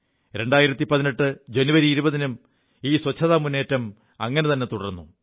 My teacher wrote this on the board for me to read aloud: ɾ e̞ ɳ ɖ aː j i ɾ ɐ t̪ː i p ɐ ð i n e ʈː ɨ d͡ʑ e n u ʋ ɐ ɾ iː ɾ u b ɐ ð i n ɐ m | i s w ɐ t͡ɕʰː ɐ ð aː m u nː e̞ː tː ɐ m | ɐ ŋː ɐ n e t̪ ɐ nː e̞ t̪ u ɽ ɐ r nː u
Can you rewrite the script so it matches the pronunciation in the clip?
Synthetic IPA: ɾ e̞ ɳ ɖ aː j i ɾ ɐ t̪ː i p ɐ ð i n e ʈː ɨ d͡ʑ e n u ʋ ɐ ɾ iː ɾ u b ɐ ð i n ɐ m | iː s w ɐ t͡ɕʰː ɐ ð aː m u nː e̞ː tː ɐ m | ɐ ŋː ɐ n e t̪ ɐ nː e̞ t̪ u ɽ ɐ r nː u